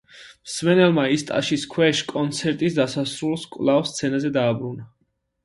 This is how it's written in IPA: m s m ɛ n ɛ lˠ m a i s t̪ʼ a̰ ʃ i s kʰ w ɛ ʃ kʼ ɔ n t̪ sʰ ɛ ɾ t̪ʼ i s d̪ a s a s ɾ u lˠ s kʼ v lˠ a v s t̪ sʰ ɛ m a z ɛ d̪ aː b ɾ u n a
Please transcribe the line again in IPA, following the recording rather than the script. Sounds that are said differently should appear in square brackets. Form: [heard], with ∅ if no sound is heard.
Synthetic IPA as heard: m s m ɛ n ɛ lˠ m a i s t̪ʼ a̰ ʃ i s kʰ w ɛ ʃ kʼ ɔ n t̪ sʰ ɛ ɾ t̪ʼ i s d̪ a s a s ɾ u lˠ s kʼ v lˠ a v s t̪ sʰ ɛ [n] a z ɛ d̪ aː b ɾ u n a